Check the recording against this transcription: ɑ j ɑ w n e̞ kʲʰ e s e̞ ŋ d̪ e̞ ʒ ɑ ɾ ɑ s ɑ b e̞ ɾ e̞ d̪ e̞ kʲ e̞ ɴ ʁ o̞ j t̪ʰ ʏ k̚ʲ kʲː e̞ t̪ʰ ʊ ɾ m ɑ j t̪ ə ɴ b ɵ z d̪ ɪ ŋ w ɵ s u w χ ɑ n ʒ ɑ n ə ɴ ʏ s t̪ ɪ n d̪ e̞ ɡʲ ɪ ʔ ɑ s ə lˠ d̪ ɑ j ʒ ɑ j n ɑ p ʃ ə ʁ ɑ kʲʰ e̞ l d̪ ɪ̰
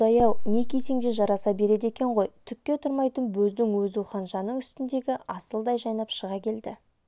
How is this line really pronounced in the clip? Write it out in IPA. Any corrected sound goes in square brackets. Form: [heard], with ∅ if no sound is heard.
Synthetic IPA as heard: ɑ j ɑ w n e̞ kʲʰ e s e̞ ŋ d̪ e̞ ʒ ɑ ɾ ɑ s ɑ b e̞ ɾ e̞ d̪ e̞ kʲ e̞ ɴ ʁ o̞ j t̪ʰ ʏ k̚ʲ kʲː e̞ t̪ʰ ʊ ɾ m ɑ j t̪ ə [n] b ɵ z d̪ ɪ ŋ w ɵ [z] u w χ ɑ n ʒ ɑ n ə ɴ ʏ s t̪ ɪ n d̪ e̞ ɡʲ ɪ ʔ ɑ s ə lˠ d̪ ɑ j ʒ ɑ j n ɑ p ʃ ə ʁ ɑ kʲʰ e̞ l d̪ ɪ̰